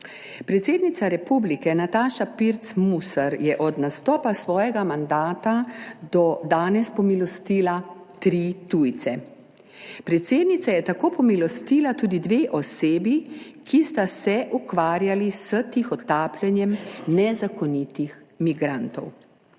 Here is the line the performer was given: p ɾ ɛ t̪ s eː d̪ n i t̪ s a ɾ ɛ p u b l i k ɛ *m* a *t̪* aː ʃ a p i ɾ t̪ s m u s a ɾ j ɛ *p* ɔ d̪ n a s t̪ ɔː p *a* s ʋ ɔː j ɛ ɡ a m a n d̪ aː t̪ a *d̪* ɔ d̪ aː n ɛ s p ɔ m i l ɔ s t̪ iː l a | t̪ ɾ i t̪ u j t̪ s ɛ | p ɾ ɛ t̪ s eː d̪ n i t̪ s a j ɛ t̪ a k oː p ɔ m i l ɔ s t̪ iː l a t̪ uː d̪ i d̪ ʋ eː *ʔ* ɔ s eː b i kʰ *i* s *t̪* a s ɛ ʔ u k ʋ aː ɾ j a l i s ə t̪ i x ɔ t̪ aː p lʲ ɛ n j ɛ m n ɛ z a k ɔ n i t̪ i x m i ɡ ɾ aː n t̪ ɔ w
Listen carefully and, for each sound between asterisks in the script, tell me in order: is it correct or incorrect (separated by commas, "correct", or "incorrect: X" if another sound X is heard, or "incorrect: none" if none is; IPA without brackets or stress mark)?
incorrect: n, correct, incorrect: ʔ, correct, correct, correct, correct, correct